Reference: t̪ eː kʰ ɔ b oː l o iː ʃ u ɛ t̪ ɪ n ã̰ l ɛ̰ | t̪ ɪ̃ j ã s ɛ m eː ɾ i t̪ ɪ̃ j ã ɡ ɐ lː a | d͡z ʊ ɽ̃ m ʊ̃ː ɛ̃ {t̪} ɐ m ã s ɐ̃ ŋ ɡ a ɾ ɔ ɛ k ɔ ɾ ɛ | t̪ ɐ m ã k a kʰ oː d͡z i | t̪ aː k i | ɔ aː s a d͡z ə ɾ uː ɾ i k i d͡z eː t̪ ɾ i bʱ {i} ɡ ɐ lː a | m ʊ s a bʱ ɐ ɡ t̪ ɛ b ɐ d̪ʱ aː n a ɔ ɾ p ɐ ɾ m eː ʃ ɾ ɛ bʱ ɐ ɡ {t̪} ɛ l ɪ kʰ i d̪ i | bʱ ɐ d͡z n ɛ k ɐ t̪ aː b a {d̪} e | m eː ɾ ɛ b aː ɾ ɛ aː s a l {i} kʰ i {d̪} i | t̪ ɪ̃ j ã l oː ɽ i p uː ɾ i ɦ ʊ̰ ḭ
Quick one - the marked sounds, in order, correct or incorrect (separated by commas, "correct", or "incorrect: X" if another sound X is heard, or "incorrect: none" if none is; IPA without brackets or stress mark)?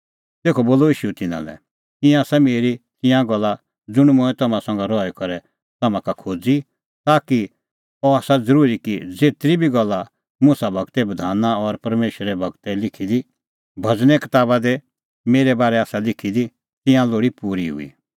correct, correct, correct, correct, incorrect: ɪ, correct